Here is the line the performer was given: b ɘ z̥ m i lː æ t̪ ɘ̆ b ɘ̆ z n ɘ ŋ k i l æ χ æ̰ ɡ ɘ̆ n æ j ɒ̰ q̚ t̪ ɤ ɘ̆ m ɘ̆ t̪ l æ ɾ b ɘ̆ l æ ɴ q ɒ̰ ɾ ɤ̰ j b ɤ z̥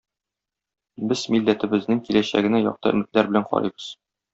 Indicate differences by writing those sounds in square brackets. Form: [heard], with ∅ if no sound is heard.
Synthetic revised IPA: b ɘ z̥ m i lː æ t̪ ɘ̆ b ɘ̆ z n ɘ ŋ k i l æ [ɕ] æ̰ ɡ ɘ̆ n æ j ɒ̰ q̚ t̪ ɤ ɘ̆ m ɘ̆ t̪ l æ ɾ b ɘ̆ l æ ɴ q ɒ̰ ɾ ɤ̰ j b ɤ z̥